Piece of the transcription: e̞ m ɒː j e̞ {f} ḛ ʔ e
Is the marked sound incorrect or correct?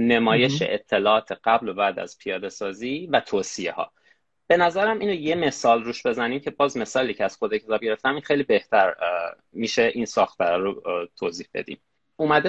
incorrect